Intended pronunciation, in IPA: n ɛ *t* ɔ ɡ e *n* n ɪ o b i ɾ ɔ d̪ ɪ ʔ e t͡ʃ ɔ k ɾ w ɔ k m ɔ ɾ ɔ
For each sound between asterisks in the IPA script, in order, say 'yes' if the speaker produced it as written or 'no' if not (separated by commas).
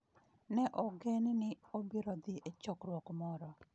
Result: no, yes